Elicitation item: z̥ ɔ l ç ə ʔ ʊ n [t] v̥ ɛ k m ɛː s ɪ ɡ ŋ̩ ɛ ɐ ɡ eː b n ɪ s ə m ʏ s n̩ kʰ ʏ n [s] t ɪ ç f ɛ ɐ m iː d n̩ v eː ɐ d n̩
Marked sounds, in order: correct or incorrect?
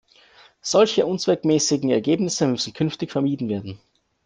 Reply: incorrect, incorrect

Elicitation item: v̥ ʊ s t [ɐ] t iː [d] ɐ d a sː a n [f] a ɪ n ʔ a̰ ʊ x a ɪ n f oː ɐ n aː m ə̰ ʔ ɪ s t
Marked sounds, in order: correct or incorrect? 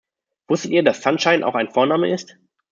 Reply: incorrect, incorrect, incorrect

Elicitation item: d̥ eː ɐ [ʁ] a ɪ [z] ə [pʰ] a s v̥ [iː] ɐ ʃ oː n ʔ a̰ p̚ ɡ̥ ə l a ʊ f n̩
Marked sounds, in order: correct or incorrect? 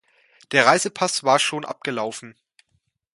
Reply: correct, correct, correct, incorrect

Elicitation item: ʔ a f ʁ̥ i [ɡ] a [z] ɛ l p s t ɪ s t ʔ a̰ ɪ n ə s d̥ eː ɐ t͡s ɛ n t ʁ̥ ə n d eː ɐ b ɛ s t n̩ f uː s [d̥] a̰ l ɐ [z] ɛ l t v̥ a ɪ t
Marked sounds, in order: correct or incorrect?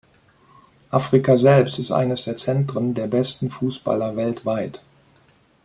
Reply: incorrect, correct, incorrect, incorrect

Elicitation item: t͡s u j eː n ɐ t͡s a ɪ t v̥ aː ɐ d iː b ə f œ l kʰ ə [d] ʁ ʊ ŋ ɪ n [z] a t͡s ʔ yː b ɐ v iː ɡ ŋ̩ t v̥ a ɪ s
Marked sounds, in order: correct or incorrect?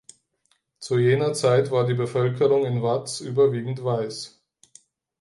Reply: incorrect, incorrect

